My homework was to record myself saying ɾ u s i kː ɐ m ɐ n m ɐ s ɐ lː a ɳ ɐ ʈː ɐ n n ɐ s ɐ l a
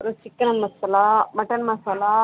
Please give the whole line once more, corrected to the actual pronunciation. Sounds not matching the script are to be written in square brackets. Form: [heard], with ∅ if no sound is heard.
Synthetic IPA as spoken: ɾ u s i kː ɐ [n] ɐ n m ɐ s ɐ [l] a [m] ɐ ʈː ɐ n [m] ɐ s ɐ l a